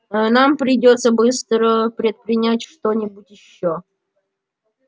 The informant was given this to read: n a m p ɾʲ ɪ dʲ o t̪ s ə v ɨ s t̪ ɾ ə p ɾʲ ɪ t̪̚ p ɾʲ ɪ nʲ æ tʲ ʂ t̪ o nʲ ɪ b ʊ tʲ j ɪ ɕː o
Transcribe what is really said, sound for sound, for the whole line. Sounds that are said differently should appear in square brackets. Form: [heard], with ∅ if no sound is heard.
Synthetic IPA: n a m p ɾʲ ɪ dʲ o t̪ s ə [b] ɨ s t̪ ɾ ə p ɾʲ ɪ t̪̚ p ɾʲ ɪ nʲ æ tʲ ʂ t̪ o nʲ ɪ b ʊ tʲ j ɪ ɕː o